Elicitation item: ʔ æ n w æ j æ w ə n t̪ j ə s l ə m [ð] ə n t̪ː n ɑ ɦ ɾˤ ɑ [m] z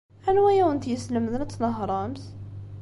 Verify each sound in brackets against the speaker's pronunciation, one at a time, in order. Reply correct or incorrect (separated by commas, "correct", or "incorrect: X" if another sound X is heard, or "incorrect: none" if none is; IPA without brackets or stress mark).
correct, correct